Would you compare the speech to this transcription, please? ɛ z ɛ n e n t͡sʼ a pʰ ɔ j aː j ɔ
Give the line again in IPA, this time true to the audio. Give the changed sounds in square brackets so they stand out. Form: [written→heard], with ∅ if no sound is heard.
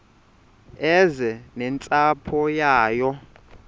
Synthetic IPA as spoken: ɛ z ɛ n [e→ɛ] n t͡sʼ a pʰ ɔ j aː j ɔ